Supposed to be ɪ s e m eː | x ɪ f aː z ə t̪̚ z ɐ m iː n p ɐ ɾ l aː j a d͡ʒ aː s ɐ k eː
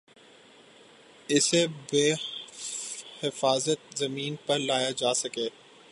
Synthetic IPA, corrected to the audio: ɪ s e b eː | h ɪ f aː z ə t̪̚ z ɐ m iː n p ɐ ɾ l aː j a d͡ʒ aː s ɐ k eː